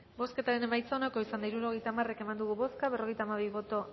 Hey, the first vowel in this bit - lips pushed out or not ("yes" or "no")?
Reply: yes